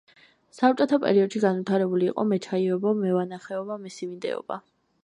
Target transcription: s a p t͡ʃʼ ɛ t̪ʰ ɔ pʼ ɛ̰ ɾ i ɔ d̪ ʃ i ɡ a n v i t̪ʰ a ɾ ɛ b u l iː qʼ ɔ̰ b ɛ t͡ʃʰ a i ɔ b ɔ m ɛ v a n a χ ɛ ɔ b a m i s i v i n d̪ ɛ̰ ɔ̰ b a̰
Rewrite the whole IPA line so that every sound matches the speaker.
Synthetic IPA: s a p t͡ʃʼ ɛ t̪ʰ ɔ pʼ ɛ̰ ɾ i ɔ d̪ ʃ i ɡ a n v i t̪ʰ a ɾ ɛ b u l iː qʼ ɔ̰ m ɛ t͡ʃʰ a i ɔ b ɔ m ɛ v a n a χ ɛ ɔ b a m i s i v i n d̪ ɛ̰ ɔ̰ b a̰